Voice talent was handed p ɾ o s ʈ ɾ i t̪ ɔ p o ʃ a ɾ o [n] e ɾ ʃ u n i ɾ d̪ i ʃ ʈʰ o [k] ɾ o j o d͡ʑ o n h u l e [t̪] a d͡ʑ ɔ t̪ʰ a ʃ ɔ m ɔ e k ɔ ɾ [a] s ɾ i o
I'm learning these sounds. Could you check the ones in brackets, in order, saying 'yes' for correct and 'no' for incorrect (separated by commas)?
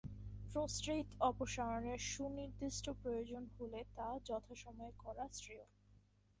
yes, no, yes, yes